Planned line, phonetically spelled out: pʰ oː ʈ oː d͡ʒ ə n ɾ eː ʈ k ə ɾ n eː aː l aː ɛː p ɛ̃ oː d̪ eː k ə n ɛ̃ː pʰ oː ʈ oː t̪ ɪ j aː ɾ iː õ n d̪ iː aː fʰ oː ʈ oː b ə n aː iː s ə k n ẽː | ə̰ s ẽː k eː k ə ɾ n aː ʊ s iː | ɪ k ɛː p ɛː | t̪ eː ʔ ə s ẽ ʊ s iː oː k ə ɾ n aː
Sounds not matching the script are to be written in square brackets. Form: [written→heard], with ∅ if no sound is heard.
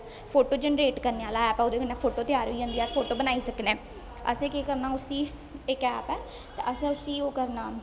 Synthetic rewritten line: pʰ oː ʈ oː d͡ʒ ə n ɾ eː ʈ k ə ɾ n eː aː l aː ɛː p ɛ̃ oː d̪ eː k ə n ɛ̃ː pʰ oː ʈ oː t̪ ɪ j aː ɾ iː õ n d̪ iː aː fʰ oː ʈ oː b ə n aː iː s ə k n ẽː | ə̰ s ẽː k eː k ə ɾ n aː ʊ s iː | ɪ k ɛː p ɛː | t̪ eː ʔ ə s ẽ ʊ s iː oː k ə ɾ n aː